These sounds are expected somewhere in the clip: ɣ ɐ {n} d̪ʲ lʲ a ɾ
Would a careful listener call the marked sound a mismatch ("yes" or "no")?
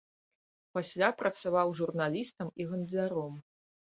no